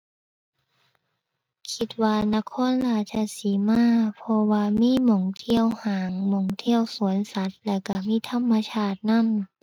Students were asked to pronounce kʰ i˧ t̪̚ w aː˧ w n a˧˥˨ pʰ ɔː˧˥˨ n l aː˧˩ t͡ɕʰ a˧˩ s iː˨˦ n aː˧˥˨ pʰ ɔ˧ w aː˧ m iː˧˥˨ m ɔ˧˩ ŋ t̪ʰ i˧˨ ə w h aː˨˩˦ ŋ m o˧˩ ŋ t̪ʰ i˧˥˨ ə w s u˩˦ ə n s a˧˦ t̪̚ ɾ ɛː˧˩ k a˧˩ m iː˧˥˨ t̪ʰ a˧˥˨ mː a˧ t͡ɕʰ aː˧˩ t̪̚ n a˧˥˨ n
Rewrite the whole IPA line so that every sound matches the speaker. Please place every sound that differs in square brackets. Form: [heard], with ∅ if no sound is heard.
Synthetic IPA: kʰ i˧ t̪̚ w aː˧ [∅] n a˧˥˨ [kʰ] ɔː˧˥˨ n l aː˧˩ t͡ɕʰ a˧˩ s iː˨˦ [m] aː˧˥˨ pʰ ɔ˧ w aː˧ m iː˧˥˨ m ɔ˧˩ ŋ t̪ʰ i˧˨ ə w h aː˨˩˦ ŋ m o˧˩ ŋ t̪ʰ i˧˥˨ ə w s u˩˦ ə n s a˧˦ t̪̚ [l] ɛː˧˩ k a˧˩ m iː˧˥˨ t̪ʰ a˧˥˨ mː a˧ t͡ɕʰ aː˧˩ t̪̚ n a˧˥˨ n